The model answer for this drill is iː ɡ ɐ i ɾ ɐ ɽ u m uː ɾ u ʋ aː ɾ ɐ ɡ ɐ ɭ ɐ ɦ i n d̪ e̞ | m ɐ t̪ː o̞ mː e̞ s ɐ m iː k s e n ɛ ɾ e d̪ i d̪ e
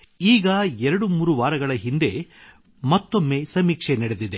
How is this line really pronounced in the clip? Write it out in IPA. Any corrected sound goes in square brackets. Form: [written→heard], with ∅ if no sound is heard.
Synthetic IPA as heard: iː ɡ ɐ [i→ɛ] ɾ ɐ ɽ u m uː ɾ u ʋ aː ɾ ɐ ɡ ɐ ɭ ɐ ɦ i n d̪ e̞ | m ɐ t̪ː o̞ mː e̞ s ɐ m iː k [s→ʂ] e n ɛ [ɾ→ɽ] e d̪ i d̪ e